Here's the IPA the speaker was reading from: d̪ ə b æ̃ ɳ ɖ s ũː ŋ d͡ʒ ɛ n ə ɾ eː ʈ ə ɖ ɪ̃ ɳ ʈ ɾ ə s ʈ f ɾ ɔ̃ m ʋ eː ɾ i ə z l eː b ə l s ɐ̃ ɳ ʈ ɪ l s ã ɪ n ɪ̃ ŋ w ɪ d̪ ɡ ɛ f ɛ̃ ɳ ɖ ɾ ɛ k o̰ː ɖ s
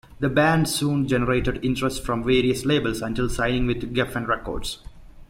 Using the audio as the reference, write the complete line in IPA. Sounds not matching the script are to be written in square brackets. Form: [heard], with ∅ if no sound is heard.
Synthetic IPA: d̪ ə b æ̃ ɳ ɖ s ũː [n] d͡ʒ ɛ n ə ɾ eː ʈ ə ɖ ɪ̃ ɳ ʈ ɾ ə s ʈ f ɾ ɔ̃ m ʋ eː ɾ i ə [s] l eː b ə l s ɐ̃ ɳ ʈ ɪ l s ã ɪ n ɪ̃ ŋ [ʋ] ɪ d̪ ɡ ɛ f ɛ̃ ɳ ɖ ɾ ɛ k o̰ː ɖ s

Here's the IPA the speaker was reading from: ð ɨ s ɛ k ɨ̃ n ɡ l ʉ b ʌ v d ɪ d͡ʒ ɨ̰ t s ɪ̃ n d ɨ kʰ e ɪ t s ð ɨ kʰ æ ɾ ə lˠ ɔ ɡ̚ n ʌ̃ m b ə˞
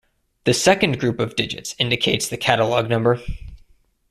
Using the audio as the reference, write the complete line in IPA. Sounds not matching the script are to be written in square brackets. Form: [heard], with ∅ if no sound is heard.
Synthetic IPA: ð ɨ s ɛ k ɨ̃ n ɡ [ɹ] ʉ [p] ʌ v d ɪ d͡ʒ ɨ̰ t s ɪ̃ n d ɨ kʰ e ɪ t s ð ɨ kʰ æ ɾ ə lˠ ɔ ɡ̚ n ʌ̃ m b ə˞

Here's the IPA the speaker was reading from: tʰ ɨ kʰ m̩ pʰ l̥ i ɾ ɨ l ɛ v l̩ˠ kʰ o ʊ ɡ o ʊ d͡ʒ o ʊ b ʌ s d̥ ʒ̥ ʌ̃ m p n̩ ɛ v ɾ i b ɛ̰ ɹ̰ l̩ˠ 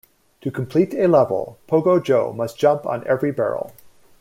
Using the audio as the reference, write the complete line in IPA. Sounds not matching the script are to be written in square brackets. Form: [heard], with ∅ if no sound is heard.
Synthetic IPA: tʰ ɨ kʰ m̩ pʰ l̥ i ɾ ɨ l ɛ v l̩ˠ [pʰ] o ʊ ɡ o ʊ d͡ʒ o ʊ [m] ʌ s d̥ ʒ̥ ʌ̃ m p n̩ ɛ v [ɹ] i b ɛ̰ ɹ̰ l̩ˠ

